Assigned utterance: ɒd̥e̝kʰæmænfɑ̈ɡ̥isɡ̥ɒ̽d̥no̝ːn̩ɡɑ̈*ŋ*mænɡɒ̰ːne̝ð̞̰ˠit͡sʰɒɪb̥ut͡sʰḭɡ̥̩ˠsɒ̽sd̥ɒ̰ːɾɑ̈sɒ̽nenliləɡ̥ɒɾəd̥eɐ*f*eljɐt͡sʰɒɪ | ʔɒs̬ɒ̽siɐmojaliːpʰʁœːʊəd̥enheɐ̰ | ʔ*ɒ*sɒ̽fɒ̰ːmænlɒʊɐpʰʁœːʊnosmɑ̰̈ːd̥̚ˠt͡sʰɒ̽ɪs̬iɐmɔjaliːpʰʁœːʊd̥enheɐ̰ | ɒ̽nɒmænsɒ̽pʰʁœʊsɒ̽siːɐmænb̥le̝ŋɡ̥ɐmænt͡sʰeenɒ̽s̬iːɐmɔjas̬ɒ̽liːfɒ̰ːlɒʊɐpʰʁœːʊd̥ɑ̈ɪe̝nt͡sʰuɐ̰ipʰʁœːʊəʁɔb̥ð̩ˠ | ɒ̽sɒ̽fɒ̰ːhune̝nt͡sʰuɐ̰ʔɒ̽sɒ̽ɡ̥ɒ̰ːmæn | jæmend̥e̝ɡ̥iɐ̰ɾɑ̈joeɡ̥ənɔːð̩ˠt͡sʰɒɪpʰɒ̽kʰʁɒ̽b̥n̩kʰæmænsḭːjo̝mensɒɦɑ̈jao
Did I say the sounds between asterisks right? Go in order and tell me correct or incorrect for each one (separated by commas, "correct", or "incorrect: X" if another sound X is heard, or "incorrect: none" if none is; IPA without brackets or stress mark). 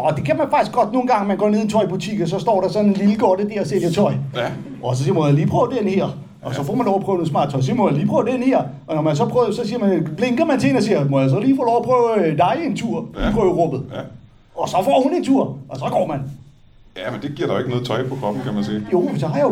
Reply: correct, incorrect: s, correct